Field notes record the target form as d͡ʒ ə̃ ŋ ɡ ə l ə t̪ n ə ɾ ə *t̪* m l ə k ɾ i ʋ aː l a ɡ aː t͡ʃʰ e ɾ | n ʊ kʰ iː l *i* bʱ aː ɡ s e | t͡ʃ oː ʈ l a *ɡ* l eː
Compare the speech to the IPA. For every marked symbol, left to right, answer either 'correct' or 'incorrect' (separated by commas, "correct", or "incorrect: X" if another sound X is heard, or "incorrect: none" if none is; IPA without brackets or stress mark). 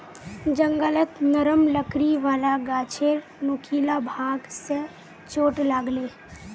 incorrect: none, incorrect: a, correct